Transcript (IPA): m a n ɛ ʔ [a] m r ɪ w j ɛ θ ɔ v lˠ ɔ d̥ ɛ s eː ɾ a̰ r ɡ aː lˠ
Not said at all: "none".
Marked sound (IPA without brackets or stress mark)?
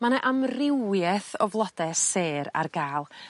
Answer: a